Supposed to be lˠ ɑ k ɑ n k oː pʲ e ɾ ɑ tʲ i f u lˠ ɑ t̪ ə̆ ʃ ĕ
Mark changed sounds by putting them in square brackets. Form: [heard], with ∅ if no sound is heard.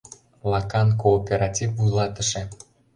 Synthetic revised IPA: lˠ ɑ k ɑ n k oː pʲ e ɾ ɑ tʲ i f u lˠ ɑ t̪ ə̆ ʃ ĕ

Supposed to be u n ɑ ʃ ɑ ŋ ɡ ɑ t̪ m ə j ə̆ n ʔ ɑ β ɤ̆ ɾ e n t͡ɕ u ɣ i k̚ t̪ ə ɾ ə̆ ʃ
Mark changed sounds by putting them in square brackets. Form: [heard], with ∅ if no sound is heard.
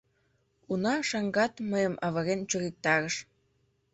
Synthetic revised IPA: u n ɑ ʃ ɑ ŋ ɡ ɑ t̪ m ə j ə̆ [m] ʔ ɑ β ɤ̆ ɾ e n t͡ɕ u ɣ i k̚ t̪ [ɑ] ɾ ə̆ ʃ

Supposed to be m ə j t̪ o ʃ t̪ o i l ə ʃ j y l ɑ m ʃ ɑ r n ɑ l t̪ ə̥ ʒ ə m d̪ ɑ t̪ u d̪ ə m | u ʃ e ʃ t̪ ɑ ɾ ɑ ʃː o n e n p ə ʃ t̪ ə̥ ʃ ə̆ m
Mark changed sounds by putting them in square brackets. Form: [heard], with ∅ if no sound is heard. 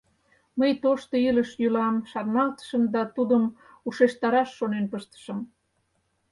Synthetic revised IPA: m ə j t̪ o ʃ t̪ o i l ə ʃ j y l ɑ m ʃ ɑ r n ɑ l t̪ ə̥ [ʃ] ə m d̪ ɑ t̪ u d̪ ə m | u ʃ e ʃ t̪ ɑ ɾ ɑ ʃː o n e n p ə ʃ t̪ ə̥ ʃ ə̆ m

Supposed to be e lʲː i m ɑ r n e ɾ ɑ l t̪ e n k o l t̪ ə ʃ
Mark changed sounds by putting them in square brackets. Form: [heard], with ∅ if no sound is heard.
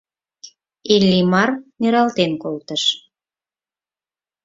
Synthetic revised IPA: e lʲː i m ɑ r n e ɾ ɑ l t̪ e n k o l t̪ ə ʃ

